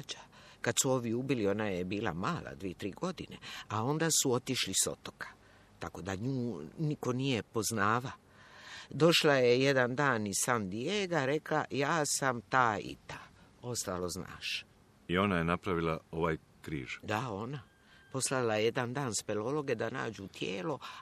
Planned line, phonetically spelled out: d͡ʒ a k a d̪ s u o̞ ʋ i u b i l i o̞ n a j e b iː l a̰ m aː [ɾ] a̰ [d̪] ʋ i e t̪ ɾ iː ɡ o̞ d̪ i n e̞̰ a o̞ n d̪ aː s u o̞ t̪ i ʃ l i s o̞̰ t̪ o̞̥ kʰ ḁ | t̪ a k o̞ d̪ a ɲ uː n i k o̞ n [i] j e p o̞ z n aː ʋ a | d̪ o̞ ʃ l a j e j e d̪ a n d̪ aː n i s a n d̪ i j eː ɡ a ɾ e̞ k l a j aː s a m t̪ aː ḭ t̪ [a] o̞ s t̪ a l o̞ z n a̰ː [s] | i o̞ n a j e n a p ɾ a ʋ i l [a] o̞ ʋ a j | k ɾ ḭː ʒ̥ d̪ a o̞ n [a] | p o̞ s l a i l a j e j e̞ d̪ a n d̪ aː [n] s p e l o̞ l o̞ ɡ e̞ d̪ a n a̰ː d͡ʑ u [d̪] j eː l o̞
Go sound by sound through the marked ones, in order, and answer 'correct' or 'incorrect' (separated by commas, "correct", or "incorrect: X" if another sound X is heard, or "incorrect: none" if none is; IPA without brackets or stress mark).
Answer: incorrect: l, correct, correct, correct, incorrect: ʃ, correct, correct, correct, incorrect: t̪